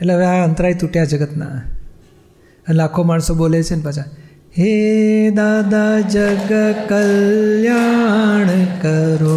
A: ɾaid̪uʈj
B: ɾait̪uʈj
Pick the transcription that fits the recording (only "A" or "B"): B